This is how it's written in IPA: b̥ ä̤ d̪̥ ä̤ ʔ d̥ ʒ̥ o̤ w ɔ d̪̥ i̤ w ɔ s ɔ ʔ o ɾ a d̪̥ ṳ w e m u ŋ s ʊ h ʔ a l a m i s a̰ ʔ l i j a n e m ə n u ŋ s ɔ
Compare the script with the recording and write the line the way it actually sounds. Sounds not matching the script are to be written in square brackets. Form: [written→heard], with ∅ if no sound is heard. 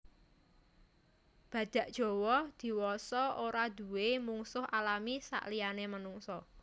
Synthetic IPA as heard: b̥ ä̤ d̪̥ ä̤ ʔ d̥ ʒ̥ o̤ w ɔ d̪̥ i̤ w ɔ s ɔ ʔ o ɾ a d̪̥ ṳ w e m u ŋ s ʊ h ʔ a l a m i s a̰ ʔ l i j a n e m ə n u ŋ s ɔ